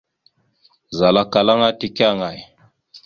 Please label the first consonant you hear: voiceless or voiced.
voiced